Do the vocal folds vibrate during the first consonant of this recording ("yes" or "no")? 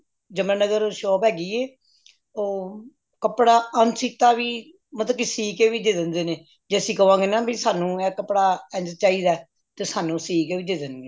yes